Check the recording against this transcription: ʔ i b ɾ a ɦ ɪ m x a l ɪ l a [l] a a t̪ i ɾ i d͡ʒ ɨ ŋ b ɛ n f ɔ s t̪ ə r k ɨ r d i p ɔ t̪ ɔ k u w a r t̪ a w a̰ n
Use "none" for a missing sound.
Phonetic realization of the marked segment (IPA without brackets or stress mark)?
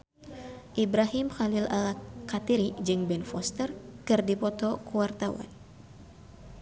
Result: l